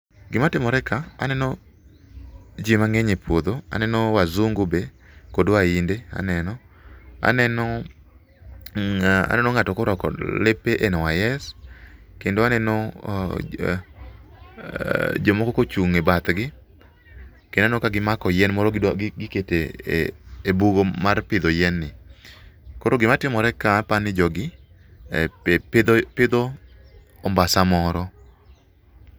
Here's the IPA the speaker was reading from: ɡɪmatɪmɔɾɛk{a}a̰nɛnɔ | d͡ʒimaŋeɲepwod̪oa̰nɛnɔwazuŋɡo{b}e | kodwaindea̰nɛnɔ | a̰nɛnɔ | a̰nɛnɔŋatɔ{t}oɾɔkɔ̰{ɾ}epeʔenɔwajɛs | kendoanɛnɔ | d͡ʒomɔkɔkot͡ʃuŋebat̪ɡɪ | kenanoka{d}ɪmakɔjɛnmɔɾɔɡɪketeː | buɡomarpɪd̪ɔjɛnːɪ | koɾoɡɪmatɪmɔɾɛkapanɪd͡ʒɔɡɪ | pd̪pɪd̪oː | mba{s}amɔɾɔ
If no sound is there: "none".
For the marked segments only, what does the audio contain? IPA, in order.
a, b, k, l, ɡ, s

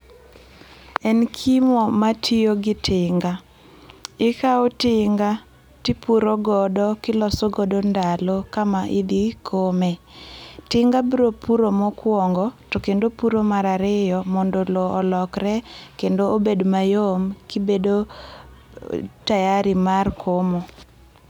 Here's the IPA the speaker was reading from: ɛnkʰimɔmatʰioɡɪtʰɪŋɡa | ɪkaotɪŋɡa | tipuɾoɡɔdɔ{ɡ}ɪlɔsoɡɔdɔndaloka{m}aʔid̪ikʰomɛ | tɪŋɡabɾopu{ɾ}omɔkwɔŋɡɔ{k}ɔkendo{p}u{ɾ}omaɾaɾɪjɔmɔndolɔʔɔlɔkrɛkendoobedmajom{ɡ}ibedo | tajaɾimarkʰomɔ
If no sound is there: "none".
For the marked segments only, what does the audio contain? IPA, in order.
k, m, ɾ, t, p, ɾ, k

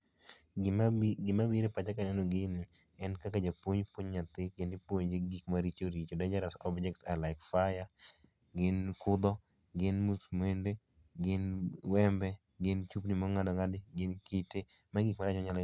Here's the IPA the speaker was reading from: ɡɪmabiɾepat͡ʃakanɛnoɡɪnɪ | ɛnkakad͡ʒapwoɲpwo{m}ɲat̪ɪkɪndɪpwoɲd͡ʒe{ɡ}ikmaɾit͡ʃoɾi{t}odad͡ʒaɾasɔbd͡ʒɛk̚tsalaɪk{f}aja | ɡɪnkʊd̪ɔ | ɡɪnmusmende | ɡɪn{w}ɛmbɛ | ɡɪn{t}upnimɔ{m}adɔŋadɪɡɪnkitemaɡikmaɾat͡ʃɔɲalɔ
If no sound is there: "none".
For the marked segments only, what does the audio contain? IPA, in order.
ɲ, ɡ, t͡ʃ, f, w, t͡ʃ, ŋ

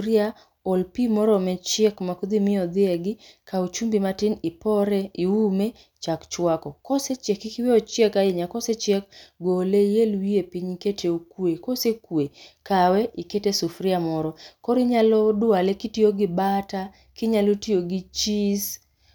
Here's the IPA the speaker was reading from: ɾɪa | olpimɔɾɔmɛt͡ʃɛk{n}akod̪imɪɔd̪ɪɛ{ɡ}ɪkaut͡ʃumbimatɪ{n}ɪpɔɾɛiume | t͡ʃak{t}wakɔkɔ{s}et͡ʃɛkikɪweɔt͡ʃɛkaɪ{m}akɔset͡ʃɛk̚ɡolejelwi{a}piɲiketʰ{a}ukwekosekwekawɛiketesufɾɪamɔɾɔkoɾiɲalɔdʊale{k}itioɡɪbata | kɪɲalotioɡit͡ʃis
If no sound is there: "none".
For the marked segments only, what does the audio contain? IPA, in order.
m, ɡ, n, t͡ʃ, s, ɲ, e, e, k

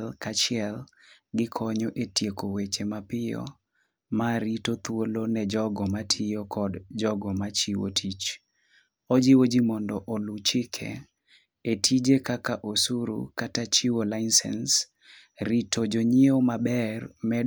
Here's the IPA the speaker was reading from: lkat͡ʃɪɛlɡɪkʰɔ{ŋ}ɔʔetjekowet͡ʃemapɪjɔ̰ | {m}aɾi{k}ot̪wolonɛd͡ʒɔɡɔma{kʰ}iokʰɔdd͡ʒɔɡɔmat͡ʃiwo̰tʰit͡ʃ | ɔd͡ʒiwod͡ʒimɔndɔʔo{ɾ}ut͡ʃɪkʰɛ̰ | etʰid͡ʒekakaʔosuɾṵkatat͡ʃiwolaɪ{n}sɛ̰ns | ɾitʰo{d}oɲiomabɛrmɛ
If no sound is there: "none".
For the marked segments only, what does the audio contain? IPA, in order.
ɲ, m, t, tʰ, l, n, d͡ʒ

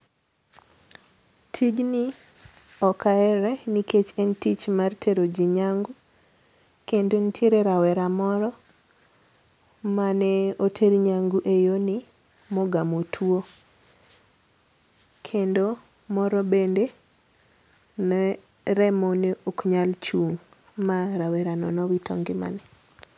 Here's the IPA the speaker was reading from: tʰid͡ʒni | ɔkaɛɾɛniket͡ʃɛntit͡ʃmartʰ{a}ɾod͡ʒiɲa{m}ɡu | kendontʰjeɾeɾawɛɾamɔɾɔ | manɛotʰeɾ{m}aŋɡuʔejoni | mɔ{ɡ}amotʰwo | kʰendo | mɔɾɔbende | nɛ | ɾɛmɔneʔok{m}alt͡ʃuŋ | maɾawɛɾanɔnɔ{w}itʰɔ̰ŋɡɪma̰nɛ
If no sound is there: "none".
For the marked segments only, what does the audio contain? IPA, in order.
e, ŋ, ɲ, ɡ, ɲ, w

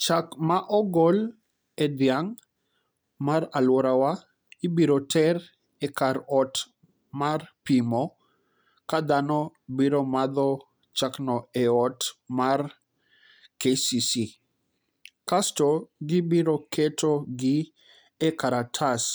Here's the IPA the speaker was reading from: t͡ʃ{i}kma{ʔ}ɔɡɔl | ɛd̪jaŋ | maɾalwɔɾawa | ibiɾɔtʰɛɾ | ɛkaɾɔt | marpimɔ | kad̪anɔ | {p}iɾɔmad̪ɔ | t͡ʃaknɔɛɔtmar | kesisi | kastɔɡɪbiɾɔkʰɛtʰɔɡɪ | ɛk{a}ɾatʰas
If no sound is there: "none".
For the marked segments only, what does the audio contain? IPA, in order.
a, ʔ, b, a

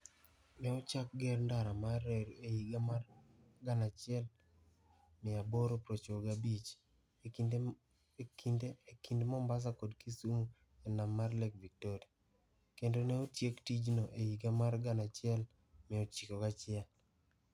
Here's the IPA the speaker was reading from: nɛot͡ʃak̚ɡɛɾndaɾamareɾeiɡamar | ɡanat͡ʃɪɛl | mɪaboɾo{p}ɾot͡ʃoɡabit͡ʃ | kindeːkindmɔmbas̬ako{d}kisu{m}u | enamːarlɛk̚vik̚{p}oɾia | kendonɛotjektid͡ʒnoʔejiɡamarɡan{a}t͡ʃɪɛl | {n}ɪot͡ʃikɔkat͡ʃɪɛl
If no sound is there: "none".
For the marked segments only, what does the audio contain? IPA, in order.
p, d, m, t, a, m

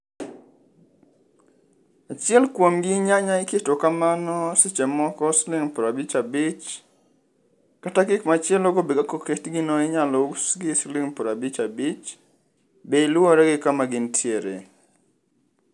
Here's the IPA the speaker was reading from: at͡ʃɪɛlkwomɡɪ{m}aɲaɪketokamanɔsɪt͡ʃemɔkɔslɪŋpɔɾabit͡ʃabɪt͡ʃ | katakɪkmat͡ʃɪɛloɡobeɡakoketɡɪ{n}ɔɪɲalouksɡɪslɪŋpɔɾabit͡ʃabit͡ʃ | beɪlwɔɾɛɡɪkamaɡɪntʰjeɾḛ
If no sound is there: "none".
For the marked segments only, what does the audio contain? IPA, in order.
ɲ, n

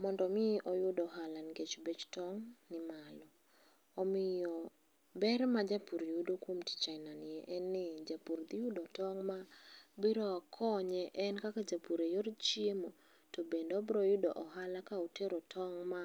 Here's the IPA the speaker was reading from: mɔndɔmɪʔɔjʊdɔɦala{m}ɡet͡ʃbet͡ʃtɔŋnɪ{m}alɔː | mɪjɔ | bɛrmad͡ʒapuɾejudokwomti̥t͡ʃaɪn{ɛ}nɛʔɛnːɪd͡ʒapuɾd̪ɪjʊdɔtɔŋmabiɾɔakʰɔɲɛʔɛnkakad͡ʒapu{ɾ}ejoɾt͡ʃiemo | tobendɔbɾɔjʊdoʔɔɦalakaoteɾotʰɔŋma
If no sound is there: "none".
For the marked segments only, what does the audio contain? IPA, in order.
n, m, a, ɾ

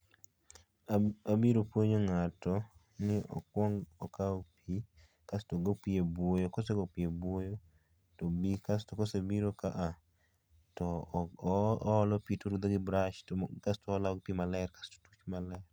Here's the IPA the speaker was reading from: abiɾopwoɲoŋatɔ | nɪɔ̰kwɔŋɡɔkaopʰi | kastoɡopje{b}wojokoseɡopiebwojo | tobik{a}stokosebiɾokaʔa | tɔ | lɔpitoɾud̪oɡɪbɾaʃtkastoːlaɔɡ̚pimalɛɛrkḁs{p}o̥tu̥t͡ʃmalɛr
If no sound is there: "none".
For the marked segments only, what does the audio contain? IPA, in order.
b, a, t

